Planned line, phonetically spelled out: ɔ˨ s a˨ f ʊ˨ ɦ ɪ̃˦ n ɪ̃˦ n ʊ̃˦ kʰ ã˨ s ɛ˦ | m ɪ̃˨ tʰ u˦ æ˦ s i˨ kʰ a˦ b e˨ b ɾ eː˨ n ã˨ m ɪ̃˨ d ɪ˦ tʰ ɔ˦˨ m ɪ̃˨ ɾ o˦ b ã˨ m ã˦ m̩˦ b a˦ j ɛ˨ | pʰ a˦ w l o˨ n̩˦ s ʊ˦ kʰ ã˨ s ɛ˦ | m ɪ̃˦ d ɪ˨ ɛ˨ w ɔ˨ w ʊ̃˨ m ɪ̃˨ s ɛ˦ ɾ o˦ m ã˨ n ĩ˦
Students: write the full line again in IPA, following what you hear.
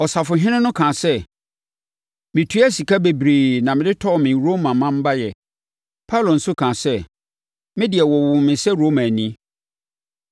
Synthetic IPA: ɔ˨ s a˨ f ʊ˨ ɦ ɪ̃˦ n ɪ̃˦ n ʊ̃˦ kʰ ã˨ s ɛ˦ | m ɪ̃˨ tʰ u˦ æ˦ s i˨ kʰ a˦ b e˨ b ɾ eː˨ n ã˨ m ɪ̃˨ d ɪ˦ tʰ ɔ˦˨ m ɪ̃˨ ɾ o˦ m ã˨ m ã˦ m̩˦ b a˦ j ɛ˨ | pʰ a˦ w l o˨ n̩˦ s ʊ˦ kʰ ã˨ s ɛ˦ | m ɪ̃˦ d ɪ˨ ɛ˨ w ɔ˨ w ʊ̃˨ m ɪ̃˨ s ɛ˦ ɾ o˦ m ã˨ n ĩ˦